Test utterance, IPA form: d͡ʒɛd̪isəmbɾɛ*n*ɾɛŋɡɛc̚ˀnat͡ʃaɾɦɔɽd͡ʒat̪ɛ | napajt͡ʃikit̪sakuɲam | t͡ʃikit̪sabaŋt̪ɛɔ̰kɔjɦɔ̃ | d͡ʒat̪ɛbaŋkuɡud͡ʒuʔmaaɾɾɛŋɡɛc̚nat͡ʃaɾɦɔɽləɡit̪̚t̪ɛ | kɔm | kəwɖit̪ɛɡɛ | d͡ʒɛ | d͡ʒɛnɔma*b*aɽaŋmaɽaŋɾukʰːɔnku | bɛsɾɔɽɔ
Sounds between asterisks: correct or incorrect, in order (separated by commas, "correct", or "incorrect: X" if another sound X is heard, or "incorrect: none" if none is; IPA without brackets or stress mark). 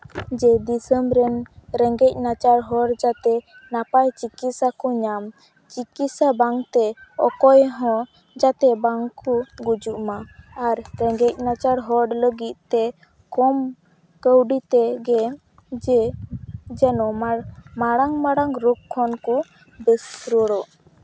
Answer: correct, incorrect: m